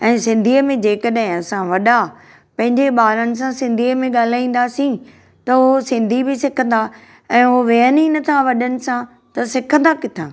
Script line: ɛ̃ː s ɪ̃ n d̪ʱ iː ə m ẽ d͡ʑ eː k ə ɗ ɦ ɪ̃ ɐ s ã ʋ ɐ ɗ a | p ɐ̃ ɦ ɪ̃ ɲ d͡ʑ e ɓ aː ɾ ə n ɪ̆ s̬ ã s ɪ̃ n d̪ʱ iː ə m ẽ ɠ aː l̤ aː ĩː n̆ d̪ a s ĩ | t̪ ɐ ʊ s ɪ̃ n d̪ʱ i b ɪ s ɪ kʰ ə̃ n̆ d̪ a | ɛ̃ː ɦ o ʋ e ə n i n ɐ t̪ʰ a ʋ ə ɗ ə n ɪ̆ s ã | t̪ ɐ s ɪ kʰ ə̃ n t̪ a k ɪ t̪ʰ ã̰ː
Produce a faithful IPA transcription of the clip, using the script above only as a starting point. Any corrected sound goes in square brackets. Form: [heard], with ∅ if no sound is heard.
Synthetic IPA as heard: ɛ̃ː s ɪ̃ n d̪ʱ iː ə m ẽ d͡ʑ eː k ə ɗ ɦ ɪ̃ ɐ s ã ʋ ɐ ɗ a | p ɐ̃ ɦ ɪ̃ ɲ d͡ʑ e ɓ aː ɾ ə n ɪ̆ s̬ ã s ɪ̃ n d̪ʱ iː ə m ẽ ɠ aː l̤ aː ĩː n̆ d̪ a s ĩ | t̪ ɐ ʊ s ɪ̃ n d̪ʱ i b ɪ s ɪ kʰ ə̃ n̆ d̪ a | ɛ̃ː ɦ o ʋ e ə n i n ɐ t̪ʰ a ʋ [ɐ] ɗ ə n ɪ̆ s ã | t̪ ɐ s ɪ kʰ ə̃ n [d̪] a k ɪ t̪ʰ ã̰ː

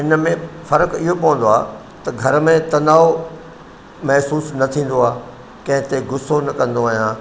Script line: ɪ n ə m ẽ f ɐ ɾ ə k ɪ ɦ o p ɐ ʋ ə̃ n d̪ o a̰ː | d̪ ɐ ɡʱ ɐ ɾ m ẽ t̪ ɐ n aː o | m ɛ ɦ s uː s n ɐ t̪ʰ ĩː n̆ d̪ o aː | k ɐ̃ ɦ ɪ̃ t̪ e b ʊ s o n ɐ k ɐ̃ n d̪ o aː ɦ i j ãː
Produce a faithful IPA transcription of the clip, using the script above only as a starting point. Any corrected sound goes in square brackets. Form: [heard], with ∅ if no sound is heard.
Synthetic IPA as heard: ɪ n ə m ẽ f ɐ ɾ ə k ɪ ɦ o p ɐ ʋ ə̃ n d̪ o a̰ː | [t̪] ɐ ɡʱ ɐ ɾ m ẽ t̪ ɐ n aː o | m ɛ ɦ s uː s n ɐ t̪ʰ ĩː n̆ d̪ o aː | k ɐ̃ ɦ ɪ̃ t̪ e [ɡ] ʊ s o n ɐ k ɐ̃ n d̪ o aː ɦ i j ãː

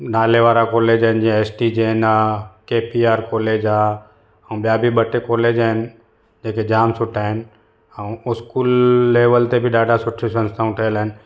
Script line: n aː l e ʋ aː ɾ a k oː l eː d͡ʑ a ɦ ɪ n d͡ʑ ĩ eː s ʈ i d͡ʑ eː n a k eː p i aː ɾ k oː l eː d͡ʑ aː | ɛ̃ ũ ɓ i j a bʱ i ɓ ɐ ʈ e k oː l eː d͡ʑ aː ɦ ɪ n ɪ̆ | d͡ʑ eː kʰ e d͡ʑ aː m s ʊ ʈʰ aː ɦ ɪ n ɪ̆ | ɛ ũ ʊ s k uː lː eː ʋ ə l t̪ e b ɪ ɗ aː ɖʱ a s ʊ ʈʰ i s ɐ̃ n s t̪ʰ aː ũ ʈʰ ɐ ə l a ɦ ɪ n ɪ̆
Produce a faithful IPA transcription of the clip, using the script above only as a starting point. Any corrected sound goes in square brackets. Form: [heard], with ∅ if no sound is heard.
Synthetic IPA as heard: n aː l e ʋ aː ɾ a k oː l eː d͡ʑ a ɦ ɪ n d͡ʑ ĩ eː s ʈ i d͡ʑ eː n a k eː p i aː ɾ k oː l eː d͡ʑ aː | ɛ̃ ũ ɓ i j a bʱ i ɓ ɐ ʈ e k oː l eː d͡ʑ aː ɦ ɪ n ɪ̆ | d͡ʑ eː [k] e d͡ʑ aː m s ʊ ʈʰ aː ɦ ɪ n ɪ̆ | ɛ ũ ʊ s k uː lː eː ʋ ə l t̪ e b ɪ ɗ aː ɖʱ a s ʊ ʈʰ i s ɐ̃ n s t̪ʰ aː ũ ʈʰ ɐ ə l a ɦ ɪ n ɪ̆

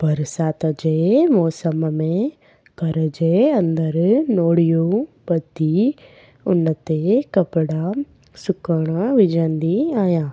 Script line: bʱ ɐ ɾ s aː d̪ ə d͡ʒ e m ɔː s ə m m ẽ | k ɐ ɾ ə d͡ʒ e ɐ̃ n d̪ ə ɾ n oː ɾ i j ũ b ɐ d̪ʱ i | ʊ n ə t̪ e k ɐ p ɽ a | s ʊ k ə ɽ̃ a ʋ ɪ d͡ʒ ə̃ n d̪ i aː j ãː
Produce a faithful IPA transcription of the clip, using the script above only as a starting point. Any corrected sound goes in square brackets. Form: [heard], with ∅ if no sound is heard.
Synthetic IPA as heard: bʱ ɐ ɾ s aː [t̪] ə d͡ʒ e m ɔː s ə m m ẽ | k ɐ ɾ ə d͡ʒ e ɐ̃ n d̪ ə ɾ n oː [ɽ] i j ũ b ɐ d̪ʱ i | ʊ n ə t̪ e k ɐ p ɽ a | s ʊ k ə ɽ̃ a ʋ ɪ d͡ʒ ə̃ n d̪ i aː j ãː

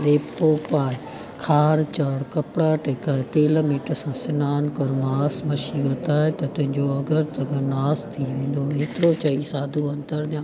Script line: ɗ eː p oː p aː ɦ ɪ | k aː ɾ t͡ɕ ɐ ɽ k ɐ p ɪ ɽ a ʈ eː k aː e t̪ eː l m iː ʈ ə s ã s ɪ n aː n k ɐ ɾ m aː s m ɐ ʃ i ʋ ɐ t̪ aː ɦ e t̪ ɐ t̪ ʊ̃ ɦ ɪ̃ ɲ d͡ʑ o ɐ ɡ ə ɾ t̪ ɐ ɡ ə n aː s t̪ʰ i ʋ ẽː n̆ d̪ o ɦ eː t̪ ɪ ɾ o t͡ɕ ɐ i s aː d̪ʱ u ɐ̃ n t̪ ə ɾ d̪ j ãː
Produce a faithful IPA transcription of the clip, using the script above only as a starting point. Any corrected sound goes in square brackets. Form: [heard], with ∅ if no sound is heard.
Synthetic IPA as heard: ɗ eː p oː p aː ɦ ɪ | [kʰ] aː ɾ t͡ɕ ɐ ɽ k ɐ p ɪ ɽ a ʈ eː k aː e t̪ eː l m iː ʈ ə s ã s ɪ n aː n k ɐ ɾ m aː s m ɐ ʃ i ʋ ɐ t̪ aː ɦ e t̪ ɐ t̪ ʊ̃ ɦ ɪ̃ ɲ d͡ʑ o ɐ ɡ ə ɾ t̪ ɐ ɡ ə n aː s t̪ʰ i ʋ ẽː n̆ d̪ o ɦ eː t̪ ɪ ɾ o t͡ɕ ɐ i s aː d̪ʱ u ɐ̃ n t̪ ə ɾ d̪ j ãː

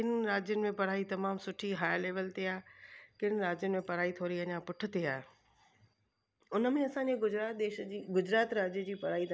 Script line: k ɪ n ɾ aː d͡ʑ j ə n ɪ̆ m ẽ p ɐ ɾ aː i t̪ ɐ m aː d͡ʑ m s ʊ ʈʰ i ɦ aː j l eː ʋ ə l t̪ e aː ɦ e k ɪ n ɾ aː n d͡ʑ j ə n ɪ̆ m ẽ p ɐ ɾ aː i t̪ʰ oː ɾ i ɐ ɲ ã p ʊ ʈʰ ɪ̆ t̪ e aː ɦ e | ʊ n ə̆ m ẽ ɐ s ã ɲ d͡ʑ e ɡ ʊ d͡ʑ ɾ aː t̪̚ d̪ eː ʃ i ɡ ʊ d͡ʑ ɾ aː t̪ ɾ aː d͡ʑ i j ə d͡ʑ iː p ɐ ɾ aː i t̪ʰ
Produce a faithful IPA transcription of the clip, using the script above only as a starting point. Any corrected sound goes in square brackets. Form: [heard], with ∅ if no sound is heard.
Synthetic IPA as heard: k ɪ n ɾ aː d͡ʑ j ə n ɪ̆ m ẽ p ɐ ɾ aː i t̪ ɐ m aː [∅] m s ʊ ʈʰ i ɦ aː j l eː ʋ ə l t̪ e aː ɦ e k ɪ n ɾ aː [∅] d͡ʑ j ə n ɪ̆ m ẽ p ɐ ɾ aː i t̪ʰ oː ɾ i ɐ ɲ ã p ʊ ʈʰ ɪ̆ t̪ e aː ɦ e | ʊ n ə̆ m ẽ ɐ s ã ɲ d͡ʑ e ɡ ʊ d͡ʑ ɾ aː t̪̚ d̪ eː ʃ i ɡ ʊ d͡ʑ ɾ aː t̪ ɾ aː d͡ʑ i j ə d͡ʑ iː p ɐ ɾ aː i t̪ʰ

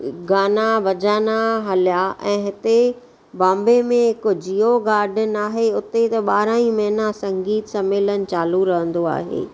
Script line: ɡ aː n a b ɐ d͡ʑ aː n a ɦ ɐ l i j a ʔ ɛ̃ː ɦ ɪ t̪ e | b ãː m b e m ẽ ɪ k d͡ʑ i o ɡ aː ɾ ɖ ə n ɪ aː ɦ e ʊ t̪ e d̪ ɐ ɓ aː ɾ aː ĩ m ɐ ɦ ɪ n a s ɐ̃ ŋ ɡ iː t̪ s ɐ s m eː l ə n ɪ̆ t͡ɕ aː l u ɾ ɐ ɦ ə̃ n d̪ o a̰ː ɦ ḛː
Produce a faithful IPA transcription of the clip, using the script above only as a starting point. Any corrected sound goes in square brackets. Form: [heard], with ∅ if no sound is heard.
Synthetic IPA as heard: ɡ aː n a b ɐ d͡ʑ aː n a ɦ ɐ l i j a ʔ ɛ̃ː ɦ ɪ t̪ e | b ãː m b e m ẽ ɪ k d͡ʑ i o ɡ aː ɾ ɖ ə n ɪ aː ɦ e ʊ t̪ e [t̪] ɐ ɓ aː ɾ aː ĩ m ɐ ɦ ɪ n a s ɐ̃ ŋ ɡ iː t̪ s ɐ [∅] m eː l ə n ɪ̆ t͡ɕ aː l u ɾ ɐ ɦ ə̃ n d̪ o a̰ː ɦ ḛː

